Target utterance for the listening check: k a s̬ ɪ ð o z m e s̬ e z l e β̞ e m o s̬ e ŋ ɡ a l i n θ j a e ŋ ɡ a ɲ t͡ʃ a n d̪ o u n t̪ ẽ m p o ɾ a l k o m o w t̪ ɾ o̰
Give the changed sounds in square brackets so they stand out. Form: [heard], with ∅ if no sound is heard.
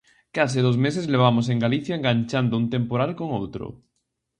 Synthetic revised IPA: k a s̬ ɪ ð o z m e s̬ e z l e β̞ [a] m o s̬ e ŋ ɡ a l i [∅] θ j a e ŋ ɡ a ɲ t͡ʃ a n d̪ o u n t̪ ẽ m p o ɾ a l k o [ŋ] o w t̪ ɾ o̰